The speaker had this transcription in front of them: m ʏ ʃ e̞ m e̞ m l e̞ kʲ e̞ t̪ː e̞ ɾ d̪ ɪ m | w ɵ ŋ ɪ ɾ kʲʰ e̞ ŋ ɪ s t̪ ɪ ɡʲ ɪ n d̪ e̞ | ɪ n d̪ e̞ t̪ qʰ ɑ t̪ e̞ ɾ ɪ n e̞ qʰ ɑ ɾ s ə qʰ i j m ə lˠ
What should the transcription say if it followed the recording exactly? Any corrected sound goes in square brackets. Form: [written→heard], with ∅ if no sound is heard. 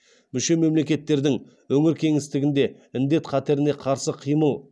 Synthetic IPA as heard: m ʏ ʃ e̞ m e̞ m l e̞ kʲ e̞ t̪ː e̞ ɾ d̪ ɪ [m→ŋ] | w ɵ ŋ ɪ ɾ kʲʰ e̞ ŋ ɪ s t̪ ɪ ɡʲ ɪ n d̪ e̞ | ɪ n d̪ e̞ t̪ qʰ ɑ t̪ e̞ ɾ ɪ n e̞ qʰ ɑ ɾ s ə qʰ i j m ə lˠ